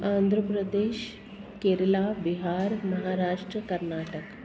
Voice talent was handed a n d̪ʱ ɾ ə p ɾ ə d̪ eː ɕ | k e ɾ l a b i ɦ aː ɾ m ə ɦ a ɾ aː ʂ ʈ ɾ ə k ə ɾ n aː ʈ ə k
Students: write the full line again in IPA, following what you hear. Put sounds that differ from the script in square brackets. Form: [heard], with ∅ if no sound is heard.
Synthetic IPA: a n d̪ʱ ɾ ə p ɾ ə d̪ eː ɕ | k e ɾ l a b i ɦ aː ɾ m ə ɦ a ɾ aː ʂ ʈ ɾ ə k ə ɾ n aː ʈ ə k

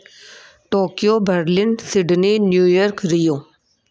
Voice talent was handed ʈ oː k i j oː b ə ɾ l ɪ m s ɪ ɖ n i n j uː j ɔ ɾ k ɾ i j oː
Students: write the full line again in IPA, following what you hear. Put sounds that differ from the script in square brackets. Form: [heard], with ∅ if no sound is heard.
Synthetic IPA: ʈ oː k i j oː b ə ɾ l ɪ [n] s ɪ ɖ n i n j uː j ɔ ɾ k ɾ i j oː

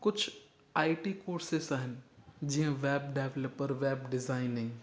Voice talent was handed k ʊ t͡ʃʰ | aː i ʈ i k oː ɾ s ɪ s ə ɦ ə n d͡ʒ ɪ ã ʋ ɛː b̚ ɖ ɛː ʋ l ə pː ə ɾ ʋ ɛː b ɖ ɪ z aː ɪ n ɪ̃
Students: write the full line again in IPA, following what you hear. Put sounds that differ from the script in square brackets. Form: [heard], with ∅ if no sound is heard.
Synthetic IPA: k ʊ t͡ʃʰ | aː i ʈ i k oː ɾ s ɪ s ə ɦ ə n d͡ʒ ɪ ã ʋ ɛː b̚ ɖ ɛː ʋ l ə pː ə ɾ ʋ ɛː b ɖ ɪ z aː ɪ n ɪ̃

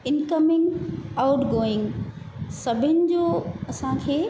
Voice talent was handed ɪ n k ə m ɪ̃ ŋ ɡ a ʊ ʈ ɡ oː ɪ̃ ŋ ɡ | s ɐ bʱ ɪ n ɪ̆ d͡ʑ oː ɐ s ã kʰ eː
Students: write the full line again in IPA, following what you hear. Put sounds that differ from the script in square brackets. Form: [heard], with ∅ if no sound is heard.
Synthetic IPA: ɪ n k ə m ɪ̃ ŋ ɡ a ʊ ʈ ɡ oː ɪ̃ ŋ ɡ | s ɐ bʱ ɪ n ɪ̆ d͡ʑ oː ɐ s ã kʰ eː

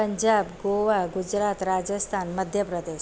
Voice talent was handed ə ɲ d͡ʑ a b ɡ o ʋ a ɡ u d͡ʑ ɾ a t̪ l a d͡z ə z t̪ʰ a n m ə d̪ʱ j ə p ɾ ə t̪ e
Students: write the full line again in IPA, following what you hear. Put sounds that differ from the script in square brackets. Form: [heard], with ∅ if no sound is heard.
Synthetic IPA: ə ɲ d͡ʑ a b ɡ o ʋ a ɡ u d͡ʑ ɾ a t̪ [ɾ] a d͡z ə [s] t̪ʰ a n m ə d̪ʱ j ə p ɾ ə [d̪] e

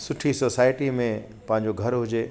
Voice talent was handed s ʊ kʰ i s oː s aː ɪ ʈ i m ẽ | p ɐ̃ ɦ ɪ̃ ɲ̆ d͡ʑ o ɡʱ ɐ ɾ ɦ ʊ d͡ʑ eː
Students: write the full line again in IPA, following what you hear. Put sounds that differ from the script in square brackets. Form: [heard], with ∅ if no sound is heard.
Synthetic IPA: s ʊ [ʈʰ] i s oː s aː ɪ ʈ i m ẽ | p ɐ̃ ɦ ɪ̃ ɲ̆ d͡ʑ o ɡʱ ɐ ɾ ɦ ʊ d͡ʑ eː

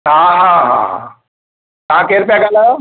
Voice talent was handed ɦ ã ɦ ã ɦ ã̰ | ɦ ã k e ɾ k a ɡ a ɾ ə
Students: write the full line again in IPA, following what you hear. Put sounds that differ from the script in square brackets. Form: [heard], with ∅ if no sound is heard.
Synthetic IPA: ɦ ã ɦ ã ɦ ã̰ | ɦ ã k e ɾ [p] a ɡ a [l] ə

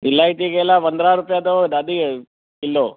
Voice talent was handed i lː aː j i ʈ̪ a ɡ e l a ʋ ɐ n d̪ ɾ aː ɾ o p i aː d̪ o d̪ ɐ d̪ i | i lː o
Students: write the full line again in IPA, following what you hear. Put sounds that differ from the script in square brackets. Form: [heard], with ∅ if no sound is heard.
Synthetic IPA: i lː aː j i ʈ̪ [i] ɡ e l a ʋ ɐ n d̪ ɾ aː ɾ [u] p [j] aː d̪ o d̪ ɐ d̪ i | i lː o

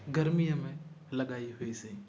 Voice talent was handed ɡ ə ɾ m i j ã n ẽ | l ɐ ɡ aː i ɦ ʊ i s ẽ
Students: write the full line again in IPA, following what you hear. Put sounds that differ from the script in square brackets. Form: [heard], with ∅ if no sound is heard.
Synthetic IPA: ɡ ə ɾ m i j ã [m] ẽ | l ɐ ɡ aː i ɦ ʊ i s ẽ

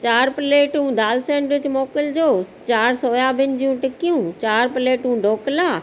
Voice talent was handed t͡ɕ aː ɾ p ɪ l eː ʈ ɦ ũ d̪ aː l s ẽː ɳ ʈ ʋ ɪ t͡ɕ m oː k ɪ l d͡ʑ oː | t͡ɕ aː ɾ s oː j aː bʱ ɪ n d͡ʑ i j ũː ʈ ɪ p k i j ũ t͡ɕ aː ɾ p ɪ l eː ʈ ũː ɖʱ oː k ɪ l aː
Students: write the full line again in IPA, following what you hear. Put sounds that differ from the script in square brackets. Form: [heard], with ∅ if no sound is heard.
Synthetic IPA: t͡ɕ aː ɾ p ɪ l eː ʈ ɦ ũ d̪ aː l s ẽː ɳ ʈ ʋ ɪ t͡ɕ m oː k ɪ l d͡ʑ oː | t͡ɕ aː ɾ s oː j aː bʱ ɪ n d͡ʑ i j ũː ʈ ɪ [∅] k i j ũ t͡ɕ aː ɾ p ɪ l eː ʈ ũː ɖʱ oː k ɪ l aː

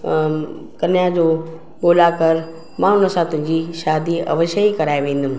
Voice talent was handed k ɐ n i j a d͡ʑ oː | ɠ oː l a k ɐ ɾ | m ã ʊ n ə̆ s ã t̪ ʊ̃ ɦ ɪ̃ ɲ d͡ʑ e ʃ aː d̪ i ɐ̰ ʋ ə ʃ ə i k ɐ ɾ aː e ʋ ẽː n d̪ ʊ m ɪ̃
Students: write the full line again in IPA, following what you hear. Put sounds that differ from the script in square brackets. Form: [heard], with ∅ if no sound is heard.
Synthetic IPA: k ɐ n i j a d͡ʑ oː | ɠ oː l a k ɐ ɾ | m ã ʊ n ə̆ s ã t̪ ʊ̃ ɦ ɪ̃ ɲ d͡ʑ [i] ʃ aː d̪ i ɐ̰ ʋ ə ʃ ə i k ɐ ɾ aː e ʋ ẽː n d̪ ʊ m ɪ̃

